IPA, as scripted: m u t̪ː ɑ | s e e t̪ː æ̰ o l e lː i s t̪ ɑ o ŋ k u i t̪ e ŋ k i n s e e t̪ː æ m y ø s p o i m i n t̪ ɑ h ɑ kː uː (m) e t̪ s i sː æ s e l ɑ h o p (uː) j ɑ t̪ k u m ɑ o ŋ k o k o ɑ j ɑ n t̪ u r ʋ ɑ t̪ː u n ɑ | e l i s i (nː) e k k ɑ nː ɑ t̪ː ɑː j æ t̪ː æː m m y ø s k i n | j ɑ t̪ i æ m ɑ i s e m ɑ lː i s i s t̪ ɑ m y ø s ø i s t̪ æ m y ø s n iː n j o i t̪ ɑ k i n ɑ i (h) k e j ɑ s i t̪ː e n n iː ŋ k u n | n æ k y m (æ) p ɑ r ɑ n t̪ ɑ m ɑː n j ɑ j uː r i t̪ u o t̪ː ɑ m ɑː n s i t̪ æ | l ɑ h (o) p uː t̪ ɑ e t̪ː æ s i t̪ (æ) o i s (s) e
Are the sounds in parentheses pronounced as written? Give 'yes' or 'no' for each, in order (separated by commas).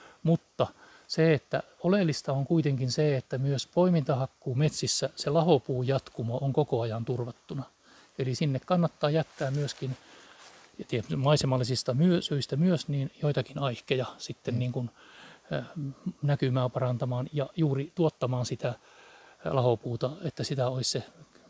yes, yes, yes, yes, no, yes, yes, yes